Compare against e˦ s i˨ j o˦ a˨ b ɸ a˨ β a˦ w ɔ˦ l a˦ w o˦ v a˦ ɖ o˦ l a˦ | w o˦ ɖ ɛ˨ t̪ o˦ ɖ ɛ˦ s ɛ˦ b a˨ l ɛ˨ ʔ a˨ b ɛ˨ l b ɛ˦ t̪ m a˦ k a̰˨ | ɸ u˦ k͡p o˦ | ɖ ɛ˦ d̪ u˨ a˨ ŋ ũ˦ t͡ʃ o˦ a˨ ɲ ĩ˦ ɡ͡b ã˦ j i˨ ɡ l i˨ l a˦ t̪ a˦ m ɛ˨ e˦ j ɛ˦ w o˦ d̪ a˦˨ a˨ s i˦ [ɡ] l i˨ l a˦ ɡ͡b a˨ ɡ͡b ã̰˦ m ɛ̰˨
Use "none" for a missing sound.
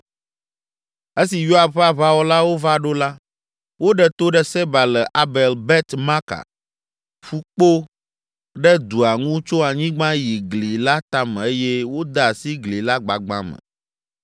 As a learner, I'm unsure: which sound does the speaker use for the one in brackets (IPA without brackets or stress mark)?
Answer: ɡ